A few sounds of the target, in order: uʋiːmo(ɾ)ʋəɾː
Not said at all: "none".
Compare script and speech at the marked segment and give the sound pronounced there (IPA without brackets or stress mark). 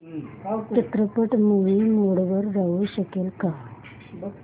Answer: ɽ